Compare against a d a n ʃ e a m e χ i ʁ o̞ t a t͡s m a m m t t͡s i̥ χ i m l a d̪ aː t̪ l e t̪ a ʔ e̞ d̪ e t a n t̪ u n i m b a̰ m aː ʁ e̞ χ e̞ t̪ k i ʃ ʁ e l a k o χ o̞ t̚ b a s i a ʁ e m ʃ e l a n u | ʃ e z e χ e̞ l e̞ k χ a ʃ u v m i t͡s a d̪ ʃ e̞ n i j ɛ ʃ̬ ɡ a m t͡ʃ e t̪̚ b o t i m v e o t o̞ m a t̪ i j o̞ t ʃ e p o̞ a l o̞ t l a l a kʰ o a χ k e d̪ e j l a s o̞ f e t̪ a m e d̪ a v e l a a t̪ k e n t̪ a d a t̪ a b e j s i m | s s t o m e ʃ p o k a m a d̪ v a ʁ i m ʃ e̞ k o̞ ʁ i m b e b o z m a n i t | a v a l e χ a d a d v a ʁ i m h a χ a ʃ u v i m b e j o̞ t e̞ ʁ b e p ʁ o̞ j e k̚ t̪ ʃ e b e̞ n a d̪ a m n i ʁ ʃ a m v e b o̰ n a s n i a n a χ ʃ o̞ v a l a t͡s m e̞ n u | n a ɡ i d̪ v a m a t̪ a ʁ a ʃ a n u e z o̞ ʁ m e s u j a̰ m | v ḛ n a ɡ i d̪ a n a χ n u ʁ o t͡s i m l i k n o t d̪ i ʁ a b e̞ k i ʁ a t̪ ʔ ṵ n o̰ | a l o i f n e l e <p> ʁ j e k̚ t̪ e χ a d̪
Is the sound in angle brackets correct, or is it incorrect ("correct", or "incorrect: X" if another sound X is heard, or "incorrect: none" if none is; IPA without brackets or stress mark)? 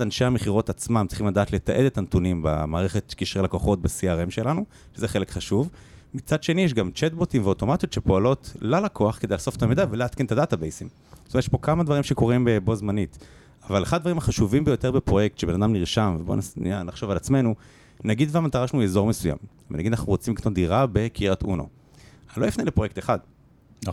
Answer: correct